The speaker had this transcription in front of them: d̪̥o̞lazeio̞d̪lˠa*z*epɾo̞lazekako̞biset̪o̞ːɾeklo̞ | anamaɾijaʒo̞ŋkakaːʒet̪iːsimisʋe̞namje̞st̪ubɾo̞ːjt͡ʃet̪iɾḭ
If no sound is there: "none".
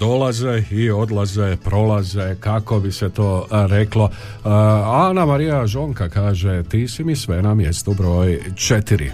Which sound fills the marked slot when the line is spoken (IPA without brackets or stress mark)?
z